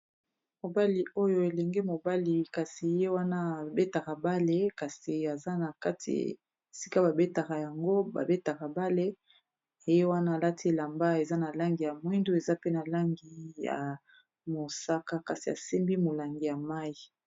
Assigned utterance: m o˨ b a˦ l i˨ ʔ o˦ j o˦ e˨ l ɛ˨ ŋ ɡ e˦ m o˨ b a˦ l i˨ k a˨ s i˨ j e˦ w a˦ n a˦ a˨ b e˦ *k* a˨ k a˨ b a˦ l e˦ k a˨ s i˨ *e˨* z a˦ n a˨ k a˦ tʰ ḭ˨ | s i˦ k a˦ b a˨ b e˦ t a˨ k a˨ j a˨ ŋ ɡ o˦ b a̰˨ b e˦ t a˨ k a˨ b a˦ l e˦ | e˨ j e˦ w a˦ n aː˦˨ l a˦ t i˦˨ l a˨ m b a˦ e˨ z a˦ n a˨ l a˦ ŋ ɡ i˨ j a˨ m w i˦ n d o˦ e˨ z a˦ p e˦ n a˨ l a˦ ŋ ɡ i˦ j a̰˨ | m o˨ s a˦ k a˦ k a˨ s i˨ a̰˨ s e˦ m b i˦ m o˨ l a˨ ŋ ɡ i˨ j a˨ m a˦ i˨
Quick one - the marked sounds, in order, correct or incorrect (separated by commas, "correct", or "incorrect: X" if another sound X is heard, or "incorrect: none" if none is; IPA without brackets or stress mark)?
incorrect: t, incorrect: a˨